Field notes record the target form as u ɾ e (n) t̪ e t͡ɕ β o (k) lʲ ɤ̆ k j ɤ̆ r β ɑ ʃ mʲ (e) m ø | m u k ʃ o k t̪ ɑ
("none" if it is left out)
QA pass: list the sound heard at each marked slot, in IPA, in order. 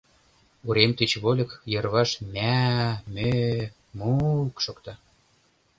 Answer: m, none, æ

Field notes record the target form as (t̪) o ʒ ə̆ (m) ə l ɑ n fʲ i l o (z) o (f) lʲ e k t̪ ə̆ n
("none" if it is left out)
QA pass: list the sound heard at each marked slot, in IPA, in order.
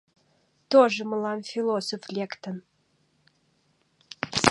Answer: t̪, m, s, f

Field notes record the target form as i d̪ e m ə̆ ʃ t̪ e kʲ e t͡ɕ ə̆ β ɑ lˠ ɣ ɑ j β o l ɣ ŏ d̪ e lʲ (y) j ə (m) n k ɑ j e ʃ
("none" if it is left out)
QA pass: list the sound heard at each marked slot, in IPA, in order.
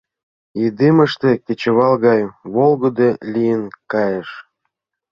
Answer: i, none

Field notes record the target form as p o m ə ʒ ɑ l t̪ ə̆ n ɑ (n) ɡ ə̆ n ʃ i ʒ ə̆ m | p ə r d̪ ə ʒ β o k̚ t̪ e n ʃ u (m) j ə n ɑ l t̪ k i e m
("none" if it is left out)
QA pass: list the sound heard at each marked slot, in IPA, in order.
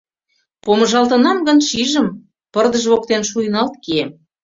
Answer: m, none

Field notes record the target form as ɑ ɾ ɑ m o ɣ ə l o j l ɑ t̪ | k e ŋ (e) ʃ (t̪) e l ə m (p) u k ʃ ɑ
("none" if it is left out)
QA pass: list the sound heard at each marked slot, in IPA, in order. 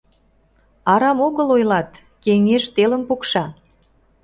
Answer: e, t̪, p

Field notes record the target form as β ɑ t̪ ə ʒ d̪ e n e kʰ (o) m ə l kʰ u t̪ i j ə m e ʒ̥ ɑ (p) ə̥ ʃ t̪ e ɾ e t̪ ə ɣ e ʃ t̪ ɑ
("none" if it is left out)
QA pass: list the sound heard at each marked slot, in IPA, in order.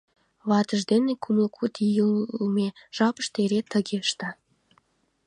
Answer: u, p

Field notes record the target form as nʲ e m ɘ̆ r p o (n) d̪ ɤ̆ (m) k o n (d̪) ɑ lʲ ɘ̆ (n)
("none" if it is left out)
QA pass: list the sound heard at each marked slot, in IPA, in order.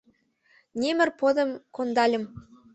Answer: none, m, d̪, m

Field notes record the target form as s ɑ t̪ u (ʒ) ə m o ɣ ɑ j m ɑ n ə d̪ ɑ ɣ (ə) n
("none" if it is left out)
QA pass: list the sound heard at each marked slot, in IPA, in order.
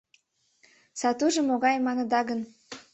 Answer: ʒ, ə

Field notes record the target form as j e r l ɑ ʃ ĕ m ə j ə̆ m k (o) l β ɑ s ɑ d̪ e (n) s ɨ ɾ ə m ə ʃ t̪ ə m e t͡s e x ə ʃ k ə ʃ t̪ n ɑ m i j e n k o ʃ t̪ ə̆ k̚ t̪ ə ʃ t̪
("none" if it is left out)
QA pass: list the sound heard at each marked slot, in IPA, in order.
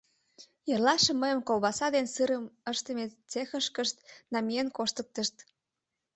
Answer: o, n

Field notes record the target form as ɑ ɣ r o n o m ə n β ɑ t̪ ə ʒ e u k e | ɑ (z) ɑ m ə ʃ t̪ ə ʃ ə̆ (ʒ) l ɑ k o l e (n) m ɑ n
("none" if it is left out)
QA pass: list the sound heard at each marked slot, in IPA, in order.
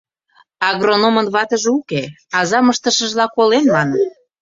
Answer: z, ʒ, n

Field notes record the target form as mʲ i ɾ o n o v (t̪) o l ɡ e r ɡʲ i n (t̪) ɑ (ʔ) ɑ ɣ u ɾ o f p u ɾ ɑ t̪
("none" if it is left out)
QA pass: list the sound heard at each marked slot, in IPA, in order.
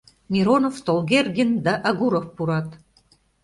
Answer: t̪, d̪, ʔ

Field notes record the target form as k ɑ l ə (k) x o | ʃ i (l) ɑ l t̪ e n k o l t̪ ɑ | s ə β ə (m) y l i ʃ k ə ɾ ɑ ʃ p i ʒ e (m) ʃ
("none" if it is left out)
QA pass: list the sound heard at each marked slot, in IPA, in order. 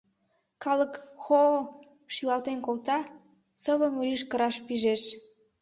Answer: k, l, m, none

